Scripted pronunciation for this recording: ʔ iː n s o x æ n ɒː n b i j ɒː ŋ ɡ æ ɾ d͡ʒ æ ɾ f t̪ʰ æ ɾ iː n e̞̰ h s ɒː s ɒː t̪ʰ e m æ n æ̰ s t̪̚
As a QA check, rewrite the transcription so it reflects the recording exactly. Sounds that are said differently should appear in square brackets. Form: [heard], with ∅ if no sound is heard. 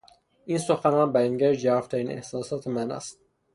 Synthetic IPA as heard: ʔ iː n s o x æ n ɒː n b [æ] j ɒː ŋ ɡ æ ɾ d͡ʒ æ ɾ f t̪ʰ æ ɾ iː n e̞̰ h s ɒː s ɒː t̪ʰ e m æ n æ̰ s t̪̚